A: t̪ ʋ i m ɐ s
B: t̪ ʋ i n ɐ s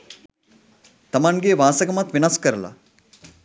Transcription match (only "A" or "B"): B